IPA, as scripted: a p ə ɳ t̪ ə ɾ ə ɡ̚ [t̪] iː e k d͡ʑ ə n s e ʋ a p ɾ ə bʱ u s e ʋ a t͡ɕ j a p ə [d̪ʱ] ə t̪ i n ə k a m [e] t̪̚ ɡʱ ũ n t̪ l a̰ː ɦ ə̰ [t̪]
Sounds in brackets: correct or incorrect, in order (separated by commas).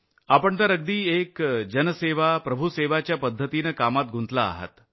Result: incorrect, incorrect, incorrect, correct